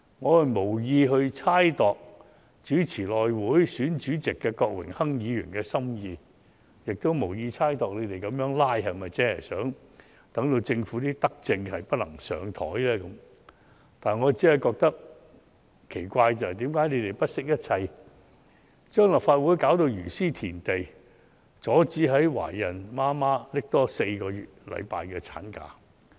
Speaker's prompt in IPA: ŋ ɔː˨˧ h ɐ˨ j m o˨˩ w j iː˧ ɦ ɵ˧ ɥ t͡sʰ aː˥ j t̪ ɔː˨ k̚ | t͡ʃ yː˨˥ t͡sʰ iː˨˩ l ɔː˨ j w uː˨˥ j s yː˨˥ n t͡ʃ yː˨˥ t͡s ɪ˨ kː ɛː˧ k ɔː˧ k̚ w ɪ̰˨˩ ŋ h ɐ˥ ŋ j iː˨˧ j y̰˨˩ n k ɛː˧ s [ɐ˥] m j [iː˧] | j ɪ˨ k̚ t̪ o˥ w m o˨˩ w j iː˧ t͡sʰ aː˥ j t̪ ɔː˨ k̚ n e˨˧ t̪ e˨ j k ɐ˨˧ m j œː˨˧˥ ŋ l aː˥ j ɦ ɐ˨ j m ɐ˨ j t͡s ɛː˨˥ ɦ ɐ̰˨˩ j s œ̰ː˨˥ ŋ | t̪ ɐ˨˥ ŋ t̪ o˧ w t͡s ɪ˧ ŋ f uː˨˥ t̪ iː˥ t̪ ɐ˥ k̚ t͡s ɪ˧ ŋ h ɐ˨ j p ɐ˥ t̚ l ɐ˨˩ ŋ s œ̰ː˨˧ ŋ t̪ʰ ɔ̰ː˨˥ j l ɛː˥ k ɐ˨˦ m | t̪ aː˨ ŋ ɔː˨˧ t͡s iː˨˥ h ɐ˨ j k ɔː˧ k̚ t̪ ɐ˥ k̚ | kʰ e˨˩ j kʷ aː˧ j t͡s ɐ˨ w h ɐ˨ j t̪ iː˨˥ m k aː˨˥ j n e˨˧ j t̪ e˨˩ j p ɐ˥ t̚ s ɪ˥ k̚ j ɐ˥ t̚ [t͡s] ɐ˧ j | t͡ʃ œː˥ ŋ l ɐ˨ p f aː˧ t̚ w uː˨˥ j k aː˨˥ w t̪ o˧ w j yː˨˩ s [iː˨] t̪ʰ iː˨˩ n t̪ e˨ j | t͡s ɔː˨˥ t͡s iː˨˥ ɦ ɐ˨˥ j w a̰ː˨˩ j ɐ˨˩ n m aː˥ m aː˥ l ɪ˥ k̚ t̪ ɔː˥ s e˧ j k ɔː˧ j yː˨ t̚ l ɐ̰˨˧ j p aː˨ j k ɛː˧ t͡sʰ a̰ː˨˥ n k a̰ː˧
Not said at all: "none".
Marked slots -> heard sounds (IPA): ɐ˥, iː˧, t͡sʰ, iː˥

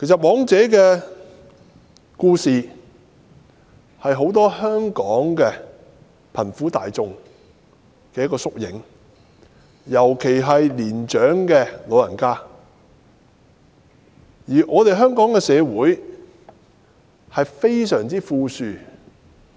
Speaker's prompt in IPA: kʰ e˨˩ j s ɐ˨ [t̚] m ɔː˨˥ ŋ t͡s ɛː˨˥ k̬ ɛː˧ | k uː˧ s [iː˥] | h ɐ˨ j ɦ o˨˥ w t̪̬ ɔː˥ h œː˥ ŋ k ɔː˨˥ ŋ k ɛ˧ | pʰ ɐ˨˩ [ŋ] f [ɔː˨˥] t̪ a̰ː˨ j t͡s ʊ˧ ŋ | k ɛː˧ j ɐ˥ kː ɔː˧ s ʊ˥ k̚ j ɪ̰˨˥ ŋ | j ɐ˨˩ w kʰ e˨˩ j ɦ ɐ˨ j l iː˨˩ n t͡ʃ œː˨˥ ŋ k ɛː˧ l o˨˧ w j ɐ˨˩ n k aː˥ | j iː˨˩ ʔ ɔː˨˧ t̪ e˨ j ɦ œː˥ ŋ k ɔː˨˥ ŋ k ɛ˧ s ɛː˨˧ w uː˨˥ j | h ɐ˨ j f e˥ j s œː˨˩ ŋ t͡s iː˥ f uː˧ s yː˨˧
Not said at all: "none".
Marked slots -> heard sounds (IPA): t̚, iː˨, n, uː˨˥

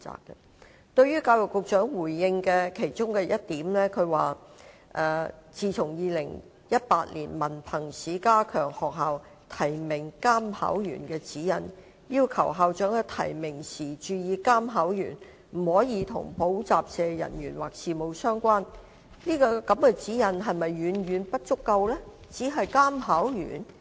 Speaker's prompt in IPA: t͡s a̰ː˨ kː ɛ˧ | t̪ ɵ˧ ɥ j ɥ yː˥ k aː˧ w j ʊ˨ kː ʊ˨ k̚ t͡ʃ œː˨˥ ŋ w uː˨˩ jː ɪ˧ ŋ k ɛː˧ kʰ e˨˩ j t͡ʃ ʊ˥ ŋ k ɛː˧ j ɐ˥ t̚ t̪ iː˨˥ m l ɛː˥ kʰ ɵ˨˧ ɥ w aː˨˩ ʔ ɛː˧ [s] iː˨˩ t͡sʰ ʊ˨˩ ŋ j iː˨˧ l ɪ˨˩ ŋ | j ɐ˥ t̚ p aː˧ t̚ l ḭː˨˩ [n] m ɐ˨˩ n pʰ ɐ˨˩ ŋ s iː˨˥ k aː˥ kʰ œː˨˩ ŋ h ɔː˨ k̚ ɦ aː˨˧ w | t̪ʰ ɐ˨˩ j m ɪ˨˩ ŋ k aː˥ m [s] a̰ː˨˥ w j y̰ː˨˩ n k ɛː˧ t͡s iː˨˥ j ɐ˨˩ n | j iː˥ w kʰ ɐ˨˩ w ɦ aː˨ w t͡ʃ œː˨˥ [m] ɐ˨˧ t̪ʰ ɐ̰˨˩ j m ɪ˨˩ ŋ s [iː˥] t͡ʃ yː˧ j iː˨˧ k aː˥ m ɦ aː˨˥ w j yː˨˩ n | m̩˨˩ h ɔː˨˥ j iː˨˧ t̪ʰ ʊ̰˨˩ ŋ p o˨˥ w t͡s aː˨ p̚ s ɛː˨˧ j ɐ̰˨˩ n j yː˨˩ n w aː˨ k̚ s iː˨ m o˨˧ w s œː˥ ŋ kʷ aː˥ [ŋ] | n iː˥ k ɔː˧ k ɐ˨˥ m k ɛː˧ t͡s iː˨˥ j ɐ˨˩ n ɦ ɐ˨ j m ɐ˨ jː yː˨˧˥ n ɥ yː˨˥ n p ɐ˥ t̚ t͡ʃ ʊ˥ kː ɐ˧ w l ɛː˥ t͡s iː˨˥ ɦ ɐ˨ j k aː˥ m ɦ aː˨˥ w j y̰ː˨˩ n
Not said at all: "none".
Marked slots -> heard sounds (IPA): t͡s, n, h, ŋ, iː˨˩, n

